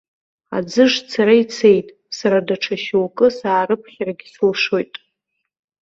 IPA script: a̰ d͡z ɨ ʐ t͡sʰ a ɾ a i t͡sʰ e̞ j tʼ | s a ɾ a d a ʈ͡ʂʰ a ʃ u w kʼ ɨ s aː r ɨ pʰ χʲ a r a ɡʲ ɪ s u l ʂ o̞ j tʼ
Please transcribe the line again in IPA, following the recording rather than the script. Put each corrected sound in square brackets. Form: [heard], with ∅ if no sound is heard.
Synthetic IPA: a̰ d͡z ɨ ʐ t͡sʰ a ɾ a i t͡sʰ e̞ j tʼ | s a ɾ a d a ʈ͡ʂʰ a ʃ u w kʼ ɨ s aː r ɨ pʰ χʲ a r a ɡʲ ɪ s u l ʂ o̞ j tʼ